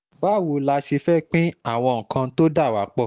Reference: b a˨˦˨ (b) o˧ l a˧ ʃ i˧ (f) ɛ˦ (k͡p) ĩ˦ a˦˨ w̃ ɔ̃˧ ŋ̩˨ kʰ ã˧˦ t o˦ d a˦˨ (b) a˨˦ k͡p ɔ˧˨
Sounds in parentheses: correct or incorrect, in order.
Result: incorrect: w, correct, correct, incorrect: w

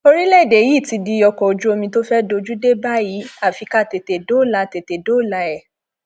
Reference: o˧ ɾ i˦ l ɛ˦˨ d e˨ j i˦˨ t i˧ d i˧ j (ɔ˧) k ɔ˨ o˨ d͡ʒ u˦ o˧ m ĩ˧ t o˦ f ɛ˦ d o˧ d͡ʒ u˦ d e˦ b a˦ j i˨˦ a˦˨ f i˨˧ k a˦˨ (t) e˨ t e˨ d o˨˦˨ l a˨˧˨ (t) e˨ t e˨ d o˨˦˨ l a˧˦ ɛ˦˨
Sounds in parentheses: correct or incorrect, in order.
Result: correct, correct, correct

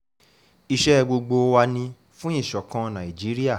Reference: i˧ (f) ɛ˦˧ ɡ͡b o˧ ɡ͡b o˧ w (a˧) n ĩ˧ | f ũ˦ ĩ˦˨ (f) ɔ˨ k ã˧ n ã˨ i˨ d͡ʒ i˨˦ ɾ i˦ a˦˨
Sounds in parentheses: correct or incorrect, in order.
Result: incorrect: ʃ, correct, incorrect: ʃ

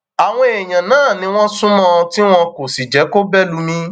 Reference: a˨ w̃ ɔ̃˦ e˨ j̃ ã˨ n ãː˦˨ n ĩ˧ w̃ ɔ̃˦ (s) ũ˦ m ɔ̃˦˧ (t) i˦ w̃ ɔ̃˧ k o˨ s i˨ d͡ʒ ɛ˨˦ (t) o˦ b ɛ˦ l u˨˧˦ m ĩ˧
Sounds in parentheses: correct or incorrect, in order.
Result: correct, correct, incorrect: k

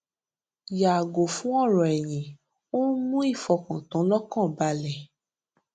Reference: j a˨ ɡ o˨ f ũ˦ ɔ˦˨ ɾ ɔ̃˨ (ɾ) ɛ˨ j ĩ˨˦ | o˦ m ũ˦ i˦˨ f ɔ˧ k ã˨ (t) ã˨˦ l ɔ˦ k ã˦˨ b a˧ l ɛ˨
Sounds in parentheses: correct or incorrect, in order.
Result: incorrect: none, correct

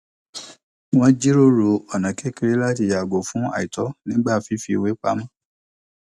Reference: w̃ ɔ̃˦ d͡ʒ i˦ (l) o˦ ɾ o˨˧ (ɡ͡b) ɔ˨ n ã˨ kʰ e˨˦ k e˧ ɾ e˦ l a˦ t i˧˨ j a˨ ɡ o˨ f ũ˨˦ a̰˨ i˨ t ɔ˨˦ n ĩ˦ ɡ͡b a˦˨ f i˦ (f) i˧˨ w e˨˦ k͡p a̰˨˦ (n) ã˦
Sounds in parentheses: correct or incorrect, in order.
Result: incorrect: ɾ, incorrect: none, correct, incorrect: m

